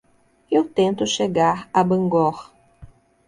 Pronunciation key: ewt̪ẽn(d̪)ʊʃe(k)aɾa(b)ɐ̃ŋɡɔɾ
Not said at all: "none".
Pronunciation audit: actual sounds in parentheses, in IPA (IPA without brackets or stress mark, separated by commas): t̪, ɡ, b